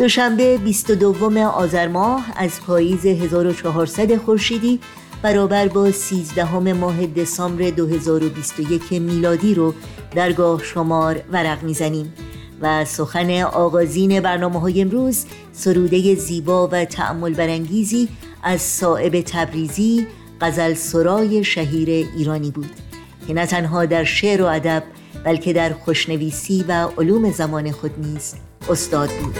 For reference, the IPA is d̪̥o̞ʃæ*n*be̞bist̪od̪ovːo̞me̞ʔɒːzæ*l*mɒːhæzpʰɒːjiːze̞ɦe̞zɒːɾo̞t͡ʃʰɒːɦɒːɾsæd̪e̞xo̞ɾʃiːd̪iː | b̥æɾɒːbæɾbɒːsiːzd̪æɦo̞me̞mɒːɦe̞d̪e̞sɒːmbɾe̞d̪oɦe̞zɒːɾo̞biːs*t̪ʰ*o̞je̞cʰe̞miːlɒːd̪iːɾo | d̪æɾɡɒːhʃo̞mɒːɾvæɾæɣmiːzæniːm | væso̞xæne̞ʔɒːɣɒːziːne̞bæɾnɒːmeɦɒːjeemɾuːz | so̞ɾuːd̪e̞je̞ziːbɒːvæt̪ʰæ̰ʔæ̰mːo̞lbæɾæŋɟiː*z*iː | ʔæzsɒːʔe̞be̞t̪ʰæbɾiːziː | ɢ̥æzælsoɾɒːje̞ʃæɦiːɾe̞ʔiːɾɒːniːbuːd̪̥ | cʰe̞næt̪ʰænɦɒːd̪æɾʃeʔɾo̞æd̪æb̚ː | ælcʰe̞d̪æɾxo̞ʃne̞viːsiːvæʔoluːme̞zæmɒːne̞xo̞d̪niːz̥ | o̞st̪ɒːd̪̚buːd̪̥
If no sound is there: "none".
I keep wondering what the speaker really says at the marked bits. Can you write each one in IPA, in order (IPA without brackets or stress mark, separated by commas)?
m, ɾ, t̪, z